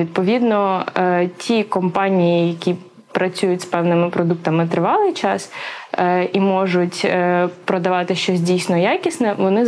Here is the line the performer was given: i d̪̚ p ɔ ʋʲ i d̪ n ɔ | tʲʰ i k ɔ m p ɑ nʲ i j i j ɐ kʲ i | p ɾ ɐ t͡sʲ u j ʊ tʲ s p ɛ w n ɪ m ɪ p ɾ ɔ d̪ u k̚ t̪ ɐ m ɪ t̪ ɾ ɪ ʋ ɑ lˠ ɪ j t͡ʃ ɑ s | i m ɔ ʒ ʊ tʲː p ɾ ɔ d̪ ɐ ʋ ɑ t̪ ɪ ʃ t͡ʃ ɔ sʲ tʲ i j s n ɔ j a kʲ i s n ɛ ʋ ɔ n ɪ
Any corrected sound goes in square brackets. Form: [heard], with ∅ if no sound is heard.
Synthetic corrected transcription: i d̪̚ p ɔ ʋʲ i d̪ n ɔ | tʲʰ i k ɔ m p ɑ nʲ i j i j ɐ kʲ i | p ɾ ɐ t͡sʲ u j ʊ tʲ s p ɛ w n ɪ m ɪ p ɾ ɔ d̪ u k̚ t̪ ɐ m ɪ t̪ ɾ ɪ ʋ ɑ lˠ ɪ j t͡ʃ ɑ s | i m ɔ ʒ ʊ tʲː p ɾ ɔ d̪ ɐ ʋ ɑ t̪ ɪ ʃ t͡ʃ ɔ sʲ [dʲ] i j s n ɔ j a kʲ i s n ɛ ʋ ɔ n ɪ